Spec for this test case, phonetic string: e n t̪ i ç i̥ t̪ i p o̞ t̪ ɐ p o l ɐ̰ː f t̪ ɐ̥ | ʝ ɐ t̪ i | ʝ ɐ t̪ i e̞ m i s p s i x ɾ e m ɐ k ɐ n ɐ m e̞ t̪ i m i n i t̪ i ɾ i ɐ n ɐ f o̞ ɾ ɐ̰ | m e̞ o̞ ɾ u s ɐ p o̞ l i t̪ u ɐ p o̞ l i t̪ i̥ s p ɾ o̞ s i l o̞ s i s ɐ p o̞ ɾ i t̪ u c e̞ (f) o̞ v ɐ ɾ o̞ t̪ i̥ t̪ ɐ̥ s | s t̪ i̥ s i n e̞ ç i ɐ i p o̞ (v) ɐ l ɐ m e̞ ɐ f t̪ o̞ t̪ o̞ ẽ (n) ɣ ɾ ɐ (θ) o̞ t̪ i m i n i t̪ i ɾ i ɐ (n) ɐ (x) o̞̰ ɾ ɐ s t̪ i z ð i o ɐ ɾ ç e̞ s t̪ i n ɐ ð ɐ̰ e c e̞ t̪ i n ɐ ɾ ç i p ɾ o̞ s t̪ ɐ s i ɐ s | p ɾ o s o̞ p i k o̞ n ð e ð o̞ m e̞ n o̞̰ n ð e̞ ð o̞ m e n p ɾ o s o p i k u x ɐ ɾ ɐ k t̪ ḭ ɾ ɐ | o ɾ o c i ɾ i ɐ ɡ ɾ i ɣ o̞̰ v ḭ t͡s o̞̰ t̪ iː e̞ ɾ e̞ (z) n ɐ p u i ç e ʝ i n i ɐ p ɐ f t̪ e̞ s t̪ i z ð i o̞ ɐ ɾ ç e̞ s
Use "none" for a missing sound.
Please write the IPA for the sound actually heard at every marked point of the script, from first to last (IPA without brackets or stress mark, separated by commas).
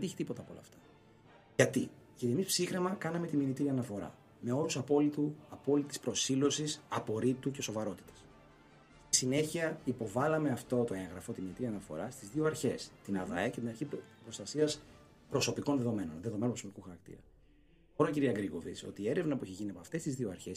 s, v, ŋ, f, n, f, v